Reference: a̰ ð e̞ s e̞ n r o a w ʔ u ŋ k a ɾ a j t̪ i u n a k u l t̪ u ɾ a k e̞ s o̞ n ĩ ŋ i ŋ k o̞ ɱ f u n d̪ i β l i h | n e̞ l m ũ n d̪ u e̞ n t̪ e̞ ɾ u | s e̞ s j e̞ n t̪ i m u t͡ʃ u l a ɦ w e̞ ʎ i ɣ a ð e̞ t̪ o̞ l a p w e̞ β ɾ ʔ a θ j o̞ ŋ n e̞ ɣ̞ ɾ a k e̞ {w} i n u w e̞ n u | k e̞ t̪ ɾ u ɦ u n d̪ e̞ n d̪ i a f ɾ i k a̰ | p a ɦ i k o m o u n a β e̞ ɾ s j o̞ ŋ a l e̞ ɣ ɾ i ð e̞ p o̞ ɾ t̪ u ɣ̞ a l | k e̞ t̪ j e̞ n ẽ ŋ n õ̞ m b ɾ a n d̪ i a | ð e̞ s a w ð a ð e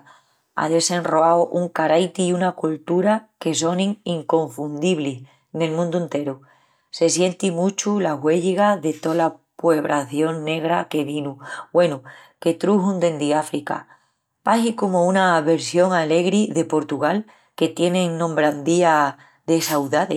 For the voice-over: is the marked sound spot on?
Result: no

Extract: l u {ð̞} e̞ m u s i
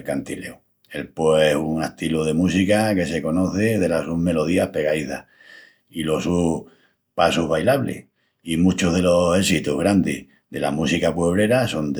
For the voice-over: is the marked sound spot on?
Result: yes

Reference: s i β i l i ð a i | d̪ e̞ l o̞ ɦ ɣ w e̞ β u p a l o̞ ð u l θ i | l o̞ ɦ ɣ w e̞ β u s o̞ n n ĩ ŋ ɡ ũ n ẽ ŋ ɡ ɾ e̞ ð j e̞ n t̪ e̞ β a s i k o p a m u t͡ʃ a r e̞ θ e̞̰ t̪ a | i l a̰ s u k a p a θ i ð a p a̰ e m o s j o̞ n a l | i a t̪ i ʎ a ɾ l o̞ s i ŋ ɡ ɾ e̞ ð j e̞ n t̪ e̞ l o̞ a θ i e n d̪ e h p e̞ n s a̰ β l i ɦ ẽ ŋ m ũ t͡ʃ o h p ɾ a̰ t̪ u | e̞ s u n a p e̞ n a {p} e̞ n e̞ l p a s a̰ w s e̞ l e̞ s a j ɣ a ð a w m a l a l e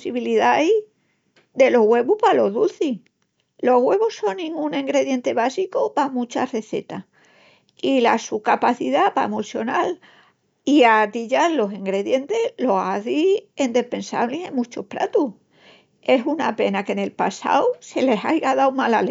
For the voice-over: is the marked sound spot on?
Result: no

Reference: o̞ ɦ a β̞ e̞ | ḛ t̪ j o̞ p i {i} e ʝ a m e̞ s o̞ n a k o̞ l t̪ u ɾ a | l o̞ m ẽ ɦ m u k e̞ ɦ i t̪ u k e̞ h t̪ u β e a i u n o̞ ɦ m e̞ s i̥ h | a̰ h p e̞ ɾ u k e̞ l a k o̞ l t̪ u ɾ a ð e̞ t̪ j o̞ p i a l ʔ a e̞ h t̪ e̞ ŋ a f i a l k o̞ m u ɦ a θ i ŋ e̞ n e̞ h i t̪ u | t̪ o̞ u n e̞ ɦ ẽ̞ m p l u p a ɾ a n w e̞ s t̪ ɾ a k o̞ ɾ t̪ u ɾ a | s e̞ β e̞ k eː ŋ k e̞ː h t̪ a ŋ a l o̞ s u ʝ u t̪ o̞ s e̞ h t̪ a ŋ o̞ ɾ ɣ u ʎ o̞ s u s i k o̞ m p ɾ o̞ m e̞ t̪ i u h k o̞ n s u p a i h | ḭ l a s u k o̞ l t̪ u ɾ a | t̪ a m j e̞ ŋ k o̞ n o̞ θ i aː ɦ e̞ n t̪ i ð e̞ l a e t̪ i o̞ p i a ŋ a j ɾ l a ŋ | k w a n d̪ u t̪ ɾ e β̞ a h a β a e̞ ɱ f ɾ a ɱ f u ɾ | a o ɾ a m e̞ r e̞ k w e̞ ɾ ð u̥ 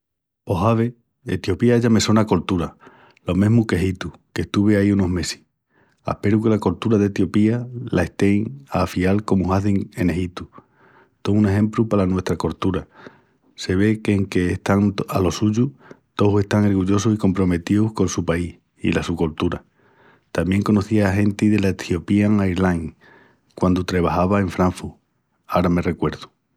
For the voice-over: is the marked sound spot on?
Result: no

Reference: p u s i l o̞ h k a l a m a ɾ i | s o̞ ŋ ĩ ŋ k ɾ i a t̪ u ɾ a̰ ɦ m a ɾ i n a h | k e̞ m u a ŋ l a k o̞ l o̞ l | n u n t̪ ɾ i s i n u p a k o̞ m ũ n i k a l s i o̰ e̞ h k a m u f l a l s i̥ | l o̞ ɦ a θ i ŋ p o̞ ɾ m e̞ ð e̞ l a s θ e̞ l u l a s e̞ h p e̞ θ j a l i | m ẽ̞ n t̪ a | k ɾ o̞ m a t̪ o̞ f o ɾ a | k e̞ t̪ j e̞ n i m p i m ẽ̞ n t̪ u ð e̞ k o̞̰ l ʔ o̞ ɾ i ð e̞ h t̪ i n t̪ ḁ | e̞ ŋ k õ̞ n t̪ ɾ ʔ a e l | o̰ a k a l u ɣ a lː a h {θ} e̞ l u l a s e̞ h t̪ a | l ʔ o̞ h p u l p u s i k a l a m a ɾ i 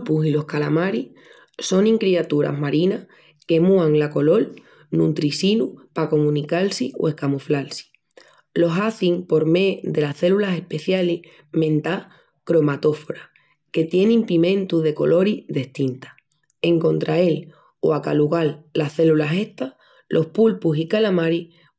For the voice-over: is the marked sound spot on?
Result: yes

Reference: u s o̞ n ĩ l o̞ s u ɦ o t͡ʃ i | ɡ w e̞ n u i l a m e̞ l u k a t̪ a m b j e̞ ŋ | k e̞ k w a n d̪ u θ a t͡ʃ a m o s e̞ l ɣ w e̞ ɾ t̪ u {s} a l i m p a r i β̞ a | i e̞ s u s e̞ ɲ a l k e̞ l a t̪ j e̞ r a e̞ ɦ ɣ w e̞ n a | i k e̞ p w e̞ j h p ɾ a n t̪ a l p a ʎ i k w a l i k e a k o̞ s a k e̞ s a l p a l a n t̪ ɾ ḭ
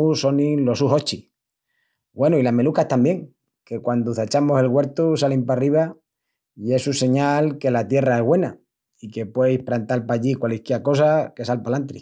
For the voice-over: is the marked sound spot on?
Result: yes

